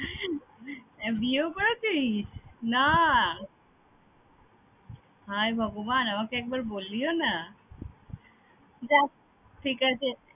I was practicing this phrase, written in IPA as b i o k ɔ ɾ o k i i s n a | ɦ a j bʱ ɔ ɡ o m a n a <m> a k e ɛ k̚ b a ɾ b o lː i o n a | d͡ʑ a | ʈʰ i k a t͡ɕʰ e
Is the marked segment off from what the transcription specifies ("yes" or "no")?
no